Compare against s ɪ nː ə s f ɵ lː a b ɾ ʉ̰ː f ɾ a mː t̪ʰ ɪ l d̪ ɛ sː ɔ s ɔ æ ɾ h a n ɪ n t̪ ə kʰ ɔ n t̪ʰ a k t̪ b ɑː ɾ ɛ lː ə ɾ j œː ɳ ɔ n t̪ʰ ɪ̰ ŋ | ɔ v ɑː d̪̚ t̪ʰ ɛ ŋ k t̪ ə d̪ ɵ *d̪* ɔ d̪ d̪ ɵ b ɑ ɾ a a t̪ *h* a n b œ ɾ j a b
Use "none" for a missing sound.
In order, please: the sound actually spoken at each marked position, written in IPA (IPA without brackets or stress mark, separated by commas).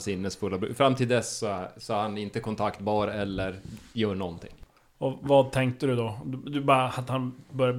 d̪, h